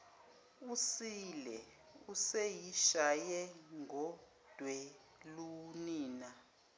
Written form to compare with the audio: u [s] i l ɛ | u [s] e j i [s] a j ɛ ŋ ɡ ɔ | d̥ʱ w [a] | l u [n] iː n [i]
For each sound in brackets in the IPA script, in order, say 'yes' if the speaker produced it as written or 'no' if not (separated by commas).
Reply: yes, yes, no, no, yes, no